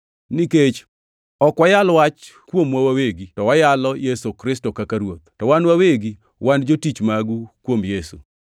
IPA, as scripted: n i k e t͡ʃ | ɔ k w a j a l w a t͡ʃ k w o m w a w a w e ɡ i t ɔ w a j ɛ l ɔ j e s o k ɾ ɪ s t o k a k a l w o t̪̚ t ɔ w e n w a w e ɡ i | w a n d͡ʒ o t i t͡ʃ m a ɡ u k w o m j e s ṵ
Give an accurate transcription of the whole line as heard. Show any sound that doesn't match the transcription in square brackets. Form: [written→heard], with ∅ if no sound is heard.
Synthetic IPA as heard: n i k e t͡ʃ | ɔ k w a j a l w a t͡ʃ k w o m w a w a w e ɡ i t ɔ w a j [ɛ→a] l ɔ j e s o k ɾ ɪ s t o k a k a [l→ɾ] w o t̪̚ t ɔ w [e→a] n w a w e ɡ i | w a n d͡ʒ o t i t͡ʃ m a ɡ u k w o m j e s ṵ